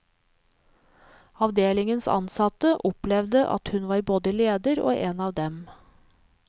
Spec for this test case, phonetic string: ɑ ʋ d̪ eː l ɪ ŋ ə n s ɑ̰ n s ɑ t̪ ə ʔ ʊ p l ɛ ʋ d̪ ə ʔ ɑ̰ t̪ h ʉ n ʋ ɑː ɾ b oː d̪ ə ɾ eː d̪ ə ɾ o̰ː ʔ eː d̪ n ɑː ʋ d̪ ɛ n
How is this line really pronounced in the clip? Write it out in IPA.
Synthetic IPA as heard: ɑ ʋ d̪ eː l ɪ ŋ ə n s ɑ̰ n s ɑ t̪ ə ʔ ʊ p l ɛ ʋ d̪ ə ʔ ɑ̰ t̪ h ʉ n ʋ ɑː ɾ b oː d̪ ə l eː d̪ ə ɾ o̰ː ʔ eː n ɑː ʋ d̪ ɛ m